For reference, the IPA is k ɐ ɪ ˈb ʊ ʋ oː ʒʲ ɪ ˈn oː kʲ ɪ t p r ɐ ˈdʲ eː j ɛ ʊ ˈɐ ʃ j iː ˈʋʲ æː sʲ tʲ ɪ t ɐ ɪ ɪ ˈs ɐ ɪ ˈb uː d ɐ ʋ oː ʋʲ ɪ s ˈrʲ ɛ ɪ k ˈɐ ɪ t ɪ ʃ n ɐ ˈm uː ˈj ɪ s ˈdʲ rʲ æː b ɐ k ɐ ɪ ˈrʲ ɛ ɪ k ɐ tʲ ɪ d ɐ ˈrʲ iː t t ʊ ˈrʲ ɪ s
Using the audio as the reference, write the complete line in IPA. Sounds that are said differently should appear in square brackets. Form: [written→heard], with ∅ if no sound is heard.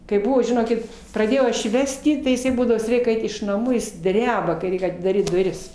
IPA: k ɐ ɪ ˈb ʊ ʋ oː ʒʲ ɪ ˈn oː kʲ ɪ t p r ɐ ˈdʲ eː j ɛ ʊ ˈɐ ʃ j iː ˈʋʲ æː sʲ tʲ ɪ t ɐ ɪ ɪ ˈs ɐ ɪ ˈb uː d ɐ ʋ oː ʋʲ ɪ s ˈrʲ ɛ ɪ k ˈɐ ɪ t ɪ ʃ n ɐ ˈm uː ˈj ɪ s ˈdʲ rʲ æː b ɐ k ɐ ɪ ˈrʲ ɛ ɪ k ɐ tʲ ɪ d ɐ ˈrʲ iː t [t→d] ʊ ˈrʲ ɪ s